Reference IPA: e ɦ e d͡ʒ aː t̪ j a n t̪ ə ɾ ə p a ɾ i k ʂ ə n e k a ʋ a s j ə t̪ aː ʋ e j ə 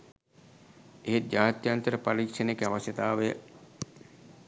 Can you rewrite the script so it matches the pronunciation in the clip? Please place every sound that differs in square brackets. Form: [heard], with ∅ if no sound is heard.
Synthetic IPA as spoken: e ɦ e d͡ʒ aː t̪ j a n t̪ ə ɾ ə p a ɾ i k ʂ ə n e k a ʋ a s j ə t̪ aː ʋ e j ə